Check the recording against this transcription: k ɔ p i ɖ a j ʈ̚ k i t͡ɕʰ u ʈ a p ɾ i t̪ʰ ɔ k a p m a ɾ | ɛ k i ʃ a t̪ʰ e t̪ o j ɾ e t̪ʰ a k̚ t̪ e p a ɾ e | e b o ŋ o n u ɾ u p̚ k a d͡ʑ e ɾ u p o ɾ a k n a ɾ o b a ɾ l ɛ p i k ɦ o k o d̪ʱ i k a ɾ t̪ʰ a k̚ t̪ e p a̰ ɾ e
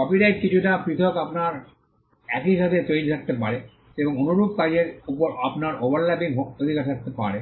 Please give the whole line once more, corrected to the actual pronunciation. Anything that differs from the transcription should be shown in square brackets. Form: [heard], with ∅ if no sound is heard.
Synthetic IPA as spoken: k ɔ p i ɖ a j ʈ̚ k i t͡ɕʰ u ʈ a p ɾ i t̪ʰ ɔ k a p [n] a ɾ | ɛ k i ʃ a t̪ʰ e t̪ o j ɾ [i] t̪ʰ a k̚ t̪ e p a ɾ e | e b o ŋ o n u ɾ u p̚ k a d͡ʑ e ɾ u p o ɾ a [p] n a ɾ o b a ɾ l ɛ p i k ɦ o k o d̪ʱ i k a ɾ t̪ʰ a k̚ t̪ e p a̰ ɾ e

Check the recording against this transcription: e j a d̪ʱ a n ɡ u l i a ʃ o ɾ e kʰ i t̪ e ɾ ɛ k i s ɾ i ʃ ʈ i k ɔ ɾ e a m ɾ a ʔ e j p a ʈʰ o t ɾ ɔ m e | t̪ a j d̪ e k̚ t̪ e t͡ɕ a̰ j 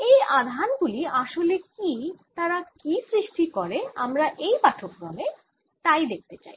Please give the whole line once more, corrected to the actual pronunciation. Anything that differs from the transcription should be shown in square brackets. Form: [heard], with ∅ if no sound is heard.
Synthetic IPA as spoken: e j a d̪ʱ a n ɡ u l i a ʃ o [l] e [k] i t̪ [a] ɾ [a] k i s ɾ i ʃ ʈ i k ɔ ɾ e a m ɾ a ʔ e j p a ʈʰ o [k] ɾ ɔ m e | t̪ a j d̪ e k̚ t̪ e t͡ɕ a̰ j

